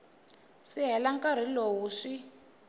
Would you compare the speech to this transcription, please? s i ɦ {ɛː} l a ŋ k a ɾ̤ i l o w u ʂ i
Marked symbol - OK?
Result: no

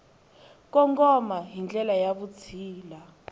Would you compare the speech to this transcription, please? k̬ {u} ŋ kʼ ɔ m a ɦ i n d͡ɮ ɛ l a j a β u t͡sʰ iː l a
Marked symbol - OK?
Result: no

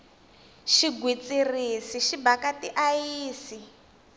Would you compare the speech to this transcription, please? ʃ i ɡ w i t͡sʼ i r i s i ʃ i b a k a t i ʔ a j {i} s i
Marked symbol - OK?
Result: no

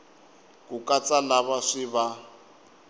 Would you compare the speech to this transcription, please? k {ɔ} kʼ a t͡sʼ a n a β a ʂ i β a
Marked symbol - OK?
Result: no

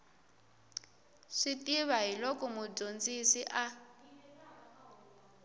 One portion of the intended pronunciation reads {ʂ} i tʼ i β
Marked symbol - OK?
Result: yes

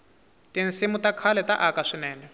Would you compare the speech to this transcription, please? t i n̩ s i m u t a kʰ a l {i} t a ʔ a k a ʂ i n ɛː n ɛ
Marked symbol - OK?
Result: no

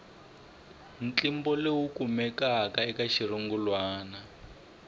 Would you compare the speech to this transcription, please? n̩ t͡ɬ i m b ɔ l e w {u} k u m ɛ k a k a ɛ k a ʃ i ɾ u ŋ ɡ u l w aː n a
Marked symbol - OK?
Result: yes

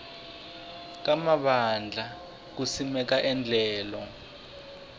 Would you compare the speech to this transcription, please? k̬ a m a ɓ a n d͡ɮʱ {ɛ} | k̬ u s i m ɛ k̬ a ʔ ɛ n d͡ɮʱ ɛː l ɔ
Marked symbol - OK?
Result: no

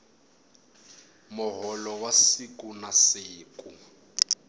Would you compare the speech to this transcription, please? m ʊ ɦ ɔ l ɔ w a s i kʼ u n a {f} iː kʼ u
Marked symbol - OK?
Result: no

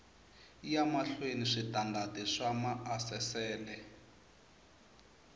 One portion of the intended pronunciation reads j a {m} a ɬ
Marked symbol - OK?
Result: yes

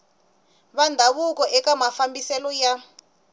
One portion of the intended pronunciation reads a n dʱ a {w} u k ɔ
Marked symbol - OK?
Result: no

